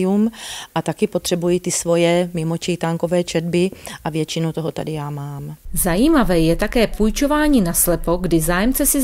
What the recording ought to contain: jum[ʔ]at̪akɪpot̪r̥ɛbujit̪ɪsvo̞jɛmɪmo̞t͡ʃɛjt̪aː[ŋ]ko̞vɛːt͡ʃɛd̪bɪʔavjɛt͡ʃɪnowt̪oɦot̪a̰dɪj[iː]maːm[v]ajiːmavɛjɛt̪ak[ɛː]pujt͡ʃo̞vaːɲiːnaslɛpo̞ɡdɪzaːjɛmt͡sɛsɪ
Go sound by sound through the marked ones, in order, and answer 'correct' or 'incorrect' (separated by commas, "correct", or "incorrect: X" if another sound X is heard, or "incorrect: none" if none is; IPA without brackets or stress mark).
correct, correct, incorrect: aː, incorrect: z, correct